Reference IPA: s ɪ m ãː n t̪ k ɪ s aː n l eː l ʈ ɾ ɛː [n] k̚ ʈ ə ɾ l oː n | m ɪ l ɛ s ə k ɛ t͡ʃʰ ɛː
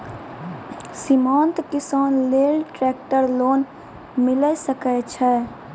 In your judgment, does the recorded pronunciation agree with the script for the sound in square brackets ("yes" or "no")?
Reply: no